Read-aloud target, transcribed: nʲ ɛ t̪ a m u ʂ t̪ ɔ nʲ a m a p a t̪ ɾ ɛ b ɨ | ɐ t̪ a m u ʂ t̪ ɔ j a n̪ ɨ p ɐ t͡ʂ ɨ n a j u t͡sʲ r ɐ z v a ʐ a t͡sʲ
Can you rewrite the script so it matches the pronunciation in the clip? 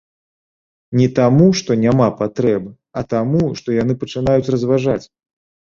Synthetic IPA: nʲ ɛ t̪ a m u ʂ t̪ ɔ nʲ a m a p a t̪ ɾ ɛ b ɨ | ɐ t̪ a m u ʂ t̪ ɔ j a n̪ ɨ p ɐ t͡ʂ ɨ n a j u t͡sʲ r ɐ z v a ʐ a t͡sʲ